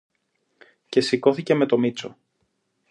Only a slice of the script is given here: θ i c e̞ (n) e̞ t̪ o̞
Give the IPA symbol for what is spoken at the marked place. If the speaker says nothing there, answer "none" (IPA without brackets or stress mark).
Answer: m